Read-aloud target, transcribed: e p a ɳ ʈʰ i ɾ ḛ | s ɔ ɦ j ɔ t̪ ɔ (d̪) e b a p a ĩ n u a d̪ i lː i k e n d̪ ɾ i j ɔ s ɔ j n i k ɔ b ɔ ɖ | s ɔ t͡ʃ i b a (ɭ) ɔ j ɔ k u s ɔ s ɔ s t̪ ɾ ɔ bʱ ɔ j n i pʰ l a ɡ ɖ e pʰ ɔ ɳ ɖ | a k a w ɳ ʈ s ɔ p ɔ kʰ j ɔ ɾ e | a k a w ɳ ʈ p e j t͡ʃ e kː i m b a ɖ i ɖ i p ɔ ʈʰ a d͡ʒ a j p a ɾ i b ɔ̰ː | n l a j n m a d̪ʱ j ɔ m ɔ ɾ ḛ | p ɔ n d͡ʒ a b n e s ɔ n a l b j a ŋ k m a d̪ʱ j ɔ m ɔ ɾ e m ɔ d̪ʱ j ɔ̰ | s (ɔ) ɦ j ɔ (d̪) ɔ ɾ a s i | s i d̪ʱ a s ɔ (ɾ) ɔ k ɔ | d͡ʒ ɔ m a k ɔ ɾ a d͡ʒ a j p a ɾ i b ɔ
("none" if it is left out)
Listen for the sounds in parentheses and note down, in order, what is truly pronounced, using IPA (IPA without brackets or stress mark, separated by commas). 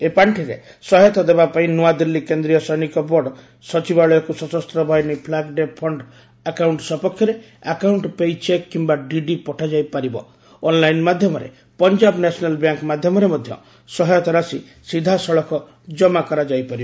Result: d̪, ɭ, ɔ, t̪, ɭ